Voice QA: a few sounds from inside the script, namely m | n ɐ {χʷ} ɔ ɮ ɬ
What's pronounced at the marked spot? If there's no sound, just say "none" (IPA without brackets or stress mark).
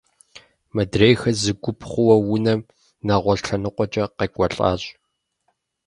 ʁʷ